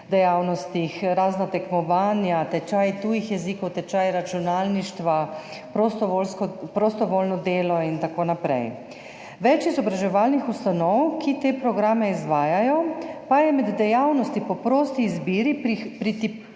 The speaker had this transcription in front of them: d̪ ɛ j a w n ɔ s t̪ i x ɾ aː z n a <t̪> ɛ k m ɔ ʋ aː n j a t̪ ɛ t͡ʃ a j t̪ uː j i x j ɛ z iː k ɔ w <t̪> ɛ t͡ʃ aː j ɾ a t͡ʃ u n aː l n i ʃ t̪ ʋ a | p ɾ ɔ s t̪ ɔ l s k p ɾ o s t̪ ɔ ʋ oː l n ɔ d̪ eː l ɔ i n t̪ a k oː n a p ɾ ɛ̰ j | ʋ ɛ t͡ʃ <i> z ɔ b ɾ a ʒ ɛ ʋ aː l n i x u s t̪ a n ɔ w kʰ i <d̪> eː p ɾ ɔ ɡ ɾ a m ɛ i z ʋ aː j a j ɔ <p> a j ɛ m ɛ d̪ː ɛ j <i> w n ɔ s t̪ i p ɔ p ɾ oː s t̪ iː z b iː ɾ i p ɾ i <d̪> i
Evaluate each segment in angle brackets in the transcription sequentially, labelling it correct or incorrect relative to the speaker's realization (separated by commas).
correct, correct, correct, incorrect, correct, incorrect, incorrect